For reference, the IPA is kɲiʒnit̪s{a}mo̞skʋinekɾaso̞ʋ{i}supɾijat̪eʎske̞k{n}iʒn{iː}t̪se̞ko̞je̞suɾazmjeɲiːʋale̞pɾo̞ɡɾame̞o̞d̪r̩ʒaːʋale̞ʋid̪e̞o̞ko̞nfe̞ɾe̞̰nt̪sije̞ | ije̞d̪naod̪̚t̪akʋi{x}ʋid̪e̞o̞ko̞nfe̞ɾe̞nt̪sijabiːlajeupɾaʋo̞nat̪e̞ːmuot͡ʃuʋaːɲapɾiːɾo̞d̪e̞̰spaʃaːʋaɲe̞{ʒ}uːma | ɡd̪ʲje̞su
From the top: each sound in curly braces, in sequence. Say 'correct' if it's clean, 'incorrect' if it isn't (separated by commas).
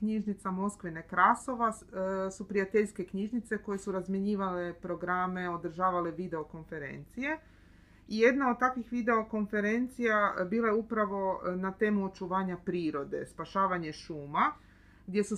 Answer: correct, incorrect, incorrect, incorrect, correct, incorrect